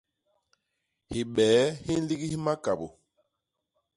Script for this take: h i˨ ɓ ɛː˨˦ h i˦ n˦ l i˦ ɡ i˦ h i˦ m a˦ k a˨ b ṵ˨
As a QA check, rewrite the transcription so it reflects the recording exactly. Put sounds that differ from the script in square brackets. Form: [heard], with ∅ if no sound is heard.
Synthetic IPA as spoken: h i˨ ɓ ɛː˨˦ h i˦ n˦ l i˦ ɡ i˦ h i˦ m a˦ k a˨ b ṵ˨